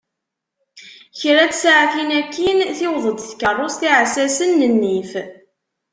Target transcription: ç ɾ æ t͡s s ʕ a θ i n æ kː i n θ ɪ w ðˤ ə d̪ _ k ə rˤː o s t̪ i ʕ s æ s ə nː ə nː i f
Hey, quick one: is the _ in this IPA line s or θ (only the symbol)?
θ